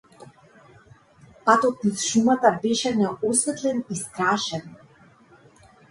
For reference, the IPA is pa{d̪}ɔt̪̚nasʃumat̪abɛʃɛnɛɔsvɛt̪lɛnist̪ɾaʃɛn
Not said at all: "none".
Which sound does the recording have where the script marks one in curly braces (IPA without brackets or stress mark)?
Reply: t̪